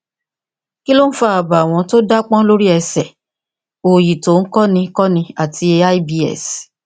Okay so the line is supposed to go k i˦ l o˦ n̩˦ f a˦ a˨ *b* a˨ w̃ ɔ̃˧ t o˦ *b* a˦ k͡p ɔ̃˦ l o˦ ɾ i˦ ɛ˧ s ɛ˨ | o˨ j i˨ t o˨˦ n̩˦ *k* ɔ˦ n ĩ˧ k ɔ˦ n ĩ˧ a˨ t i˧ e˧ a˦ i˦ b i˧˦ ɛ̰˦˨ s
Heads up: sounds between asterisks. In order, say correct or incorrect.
correct, incorrect: d, correct

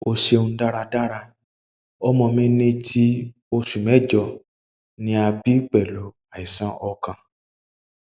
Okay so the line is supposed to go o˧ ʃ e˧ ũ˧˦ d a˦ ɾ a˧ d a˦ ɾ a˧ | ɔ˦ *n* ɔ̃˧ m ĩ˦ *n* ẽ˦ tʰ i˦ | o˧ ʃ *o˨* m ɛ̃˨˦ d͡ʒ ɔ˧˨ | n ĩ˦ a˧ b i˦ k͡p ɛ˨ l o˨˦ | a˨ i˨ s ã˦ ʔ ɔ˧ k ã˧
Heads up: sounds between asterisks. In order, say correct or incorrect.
incorrect: m, correct, incorrect: u˨

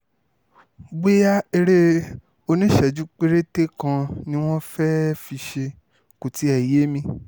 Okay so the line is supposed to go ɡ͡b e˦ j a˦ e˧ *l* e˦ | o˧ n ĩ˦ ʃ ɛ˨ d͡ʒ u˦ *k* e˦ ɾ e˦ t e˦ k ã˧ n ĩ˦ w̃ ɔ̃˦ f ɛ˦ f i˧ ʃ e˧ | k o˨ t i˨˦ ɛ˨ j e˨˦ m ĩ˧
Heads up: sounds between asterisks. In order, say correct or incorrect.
incorrect: ɾ, incorrect: k͡p

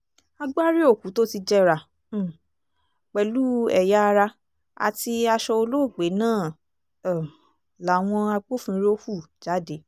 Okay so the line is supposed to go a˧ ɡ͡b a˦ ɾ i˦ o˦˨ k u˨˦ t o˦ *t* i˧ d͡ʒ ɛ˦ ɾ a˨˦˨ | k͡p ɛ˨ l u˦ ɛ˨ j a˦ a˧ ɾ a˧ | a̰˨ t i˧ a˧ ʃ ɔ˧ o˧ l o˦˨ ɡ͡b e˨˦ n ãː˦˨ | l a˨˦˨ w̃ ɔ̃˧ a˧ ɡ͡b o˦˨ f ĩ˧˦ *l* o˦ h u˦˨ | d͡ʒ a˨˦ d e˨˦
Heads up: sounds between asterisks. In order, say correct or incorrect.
correct, incorrect: ɾ

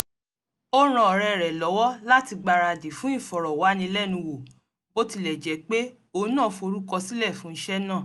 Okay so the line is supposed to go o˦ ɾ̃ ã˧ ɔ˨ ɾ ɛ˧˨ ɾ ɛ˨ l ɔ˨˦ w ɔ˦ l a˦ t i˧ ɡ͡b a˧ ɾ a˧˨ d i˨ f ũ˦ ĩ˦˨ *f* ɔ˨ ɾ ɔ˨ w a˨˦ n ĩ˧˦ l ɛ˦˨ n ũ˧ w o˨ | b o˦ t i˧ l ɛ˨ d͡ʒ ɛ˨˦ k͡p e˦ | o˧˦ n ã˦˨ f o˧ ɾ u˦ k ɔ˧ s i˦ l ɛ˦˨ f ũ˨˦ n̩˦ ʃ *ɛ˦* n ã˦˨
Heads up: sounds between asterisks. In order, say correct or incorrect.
correct, correct

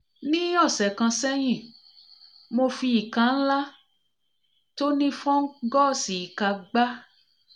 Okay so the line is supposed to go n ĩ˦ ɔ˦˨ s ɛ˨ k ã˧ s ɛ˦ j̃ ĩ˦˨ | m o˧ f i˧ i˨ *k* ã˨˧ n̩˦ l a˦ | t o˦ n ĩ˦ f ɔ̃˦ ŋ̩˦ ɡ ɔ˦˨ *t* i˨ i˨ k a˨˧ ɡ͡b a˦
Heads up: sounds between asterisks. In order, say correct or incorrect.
correct, incorrect: s

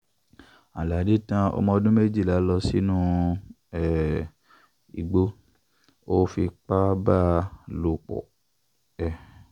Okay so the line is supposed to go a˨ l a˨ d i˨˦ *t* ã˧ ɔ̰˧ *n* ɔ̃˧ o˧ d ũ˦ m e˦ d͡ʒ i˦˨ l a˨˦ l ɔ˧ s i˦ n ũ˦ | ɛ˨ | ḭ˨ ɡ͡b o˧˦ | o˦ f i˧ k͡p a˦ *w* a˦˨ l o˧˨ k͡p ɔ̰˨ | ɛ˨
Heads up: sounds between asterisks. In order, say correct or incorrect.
correct, incorrect: m, incorrect: b

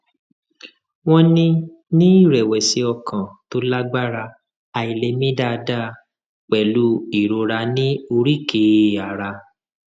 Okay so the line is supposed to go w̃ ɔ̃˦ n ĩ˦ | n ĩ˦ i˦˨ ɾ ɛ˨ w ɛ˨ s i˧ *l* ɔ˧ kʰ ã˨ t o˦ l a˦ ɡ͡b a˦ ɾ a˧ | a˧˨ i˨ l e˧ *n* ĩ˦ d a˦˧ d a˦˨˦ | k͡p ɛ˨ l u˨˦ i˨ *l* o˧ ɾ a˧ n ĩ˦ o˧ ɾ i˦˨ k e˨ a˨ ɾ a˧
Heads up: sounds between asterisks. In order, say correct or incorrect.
incorrect: none, incorrect: m, incorrect: ɾ

